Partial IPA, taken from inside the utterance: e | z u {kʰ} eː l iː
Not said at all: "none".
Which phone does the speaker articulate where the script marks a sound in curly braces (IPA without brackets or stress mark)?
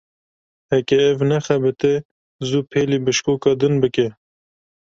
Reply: pʰ